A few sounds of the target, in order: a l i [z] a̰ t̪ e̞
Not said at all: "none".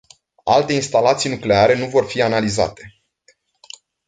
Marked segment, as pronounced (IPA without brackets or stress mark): z